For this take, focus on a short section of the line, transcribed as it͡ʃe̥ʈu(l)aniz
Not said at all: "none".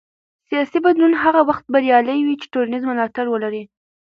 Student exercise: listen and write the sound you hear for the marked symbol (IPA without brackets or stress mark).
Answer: ɾ